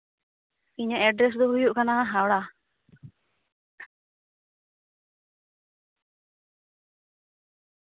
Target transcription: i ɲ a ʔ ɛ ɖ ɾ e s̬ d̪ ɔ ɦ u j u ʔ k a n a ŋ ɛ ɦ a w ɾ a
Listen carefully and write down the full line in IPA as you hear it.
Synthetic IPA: i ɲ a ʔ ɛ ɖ ɾ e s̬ d̪ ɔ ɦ u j u ʔ k a n a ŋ a ɦ a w ɽ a